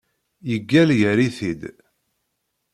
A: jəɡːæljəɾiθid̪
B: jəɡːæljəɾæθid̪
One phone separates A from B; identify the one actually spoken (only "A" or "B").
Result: A